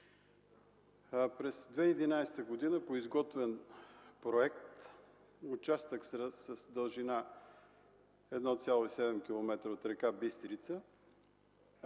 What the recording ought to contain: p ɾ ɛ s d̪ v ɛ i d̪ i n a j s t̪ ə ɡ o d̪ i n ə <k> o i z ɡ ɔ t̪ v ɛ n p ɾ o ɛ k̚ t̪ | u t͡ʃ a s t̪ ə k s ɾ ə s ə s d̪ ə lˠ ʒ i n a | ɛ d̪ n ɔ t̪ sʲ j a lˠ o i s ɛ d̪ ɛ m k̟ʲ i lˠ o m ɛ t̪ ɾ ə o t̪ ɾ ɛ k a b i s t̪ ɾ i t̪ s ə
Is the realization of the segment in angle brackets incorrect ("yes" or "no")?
yes